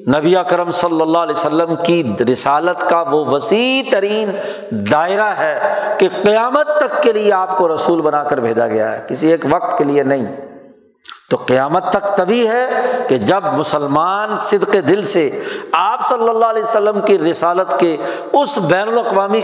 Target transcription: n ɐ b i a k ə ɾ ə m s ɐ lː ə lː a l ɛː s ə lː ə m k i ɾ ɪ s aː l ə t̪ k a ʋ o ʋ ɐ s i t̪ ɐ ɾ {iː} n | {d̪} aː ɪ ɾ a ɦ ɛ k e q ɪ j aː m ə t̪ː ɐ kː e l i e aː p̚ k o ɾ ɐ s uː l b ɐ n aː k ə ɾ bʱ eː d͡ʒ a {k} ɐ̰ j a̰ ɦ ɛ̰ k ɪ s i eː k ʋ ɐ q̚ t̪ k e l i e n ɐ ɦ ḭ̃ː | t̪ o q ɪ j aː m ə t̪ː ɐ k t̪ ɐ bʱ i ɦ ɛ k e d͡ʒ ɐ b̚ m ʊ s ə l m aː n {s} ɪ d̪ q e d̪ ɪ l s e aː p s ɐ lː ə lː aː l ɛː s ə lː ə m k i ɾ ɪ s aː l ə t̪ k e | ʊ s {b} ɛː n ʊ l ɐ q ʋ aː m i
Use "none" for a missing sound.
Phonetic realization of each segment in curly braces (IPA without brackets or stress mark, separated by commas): iː, d̪, ɡ, s, b